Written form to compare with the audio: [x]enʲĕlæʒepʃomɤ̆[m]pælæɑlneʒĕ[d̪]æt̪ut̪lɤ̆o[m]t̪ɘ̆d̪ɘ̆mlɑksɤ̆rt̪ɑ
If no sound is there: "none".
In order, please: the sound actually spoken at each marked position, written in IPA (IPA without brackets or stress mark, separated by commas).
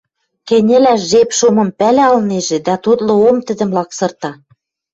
k, m, d̪, m